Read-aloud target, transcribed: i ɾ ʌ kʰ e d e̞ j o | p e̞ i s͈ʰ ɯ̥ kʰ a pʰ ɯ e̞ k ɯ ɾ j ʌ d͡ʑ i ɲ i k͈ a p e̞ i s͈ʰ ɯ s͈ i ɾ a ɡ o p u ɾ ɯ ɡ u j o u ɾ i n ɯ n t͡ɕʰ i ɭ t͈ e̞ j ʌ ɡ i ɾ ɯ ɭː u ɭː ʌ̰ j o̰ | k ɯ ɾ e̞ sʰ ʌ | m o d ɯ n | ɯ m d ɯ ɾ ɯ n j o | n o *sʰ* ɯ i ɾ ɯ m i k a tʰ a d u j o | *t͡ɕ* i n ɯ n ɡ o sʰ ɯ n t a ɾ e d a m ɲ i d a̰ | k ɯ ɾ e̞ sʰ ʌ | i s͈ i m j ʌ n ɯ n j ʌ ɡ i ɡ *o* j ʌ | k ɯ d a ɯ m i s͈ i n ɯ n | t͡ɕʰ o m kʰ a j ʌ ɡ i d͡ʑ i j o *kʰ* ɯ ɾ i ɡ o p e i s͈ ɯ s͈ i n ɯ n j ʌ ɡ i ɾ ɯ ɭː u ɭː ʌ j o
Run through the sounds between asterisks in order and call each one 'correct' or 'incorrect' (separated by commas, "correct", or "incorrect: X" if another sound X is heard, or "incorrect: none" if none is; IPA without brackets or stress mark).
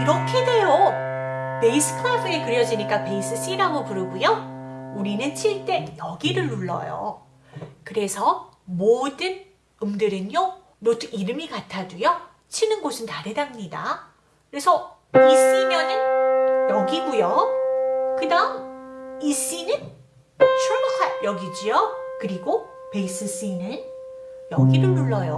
incorrect: tʰ, incorrect: t͡ɕʰ, incorrect: u, incorrect: k